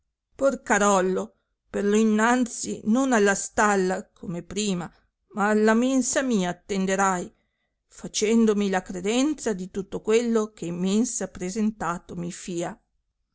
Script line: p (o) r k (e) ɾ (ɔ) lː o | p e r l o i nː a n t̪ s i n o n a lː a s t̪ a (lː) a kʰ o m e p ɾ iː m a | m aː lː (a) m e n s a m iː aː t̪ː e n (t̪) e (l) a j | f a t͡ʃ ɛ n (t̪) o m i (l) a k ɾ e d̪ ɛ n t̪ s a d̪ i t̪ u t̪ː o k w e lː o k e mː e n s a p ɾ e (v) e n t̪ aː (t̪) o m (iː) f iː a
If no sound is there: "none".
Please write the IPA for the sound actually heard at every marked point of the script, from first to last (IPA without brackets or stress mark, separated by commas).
o, a, ɔ, lː, a, d̪, ɾ, d̪, l, z, t̪, i